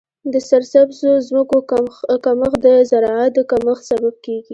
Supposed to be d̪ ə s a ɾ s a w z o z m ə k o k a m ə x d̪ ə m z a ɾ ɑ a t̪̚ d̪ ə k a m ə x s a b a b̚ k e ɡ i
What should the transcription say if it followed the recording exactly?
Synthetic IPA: d̪ ə s a ɾ s a b z o z m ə k o k a m ə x d̪ ə z a ɾ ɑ a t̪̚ d̪ ə k a m ə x s a b a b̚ k e ɡ i